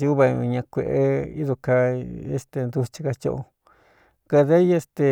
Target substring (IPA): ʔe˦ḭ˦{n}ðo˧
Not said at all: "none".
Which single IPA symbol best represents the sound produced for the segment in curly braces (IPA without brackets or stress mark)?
none